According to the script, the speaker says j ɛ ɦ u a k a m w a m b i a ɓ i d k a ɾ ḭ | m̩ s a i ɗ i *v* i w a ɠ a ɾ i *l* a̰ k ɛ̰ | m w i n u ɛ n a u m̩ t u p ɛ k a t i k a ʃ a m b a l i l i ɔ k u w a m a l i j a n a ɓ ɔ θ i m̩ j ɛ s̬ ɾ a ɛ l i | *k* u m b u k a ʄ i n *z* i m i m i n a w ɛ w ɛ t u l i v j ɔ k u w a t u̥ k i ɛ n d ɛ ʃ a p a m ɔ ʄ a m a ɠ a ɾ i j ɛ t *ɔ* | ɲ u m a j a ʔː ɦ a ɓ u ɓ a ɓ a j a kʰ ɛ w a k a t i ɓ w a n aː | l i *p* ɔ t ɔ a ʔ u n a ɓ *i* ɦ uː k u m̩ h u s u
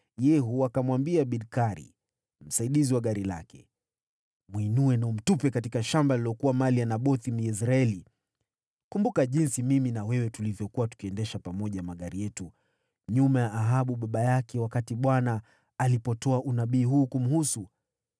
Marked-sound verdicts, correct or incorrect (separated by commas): incorrect, correct, correct, incorrect, incorrect, correct, incorrect